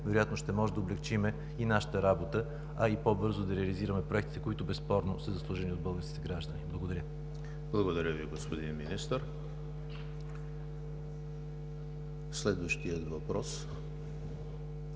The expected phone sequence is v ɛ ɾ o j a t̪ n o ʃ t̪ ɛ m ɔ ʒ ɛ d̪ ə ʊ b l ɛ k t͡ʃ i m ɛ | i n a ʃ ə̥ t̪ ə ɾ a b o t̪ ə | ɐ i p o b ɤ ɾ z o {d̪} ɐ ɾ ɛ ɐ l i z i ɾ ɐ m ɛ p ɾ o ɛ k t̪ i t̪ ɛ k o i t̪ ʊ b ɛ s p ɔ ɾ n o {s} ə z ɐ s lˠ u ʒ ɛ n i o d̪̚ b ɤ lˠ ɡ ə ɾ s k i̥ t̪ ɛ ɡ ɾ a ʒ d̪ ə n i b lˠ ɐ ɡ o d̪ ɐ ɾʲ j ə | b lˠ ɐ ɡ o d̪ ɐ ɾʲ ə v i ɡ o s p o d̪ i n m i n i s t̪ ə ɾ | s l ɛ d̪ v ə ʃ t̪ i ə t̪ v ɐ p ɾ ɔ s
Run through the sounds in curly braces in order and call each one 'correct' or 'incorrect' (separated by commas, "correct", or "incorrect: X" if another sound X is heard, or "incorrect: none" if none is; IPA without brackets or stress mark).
correct, correct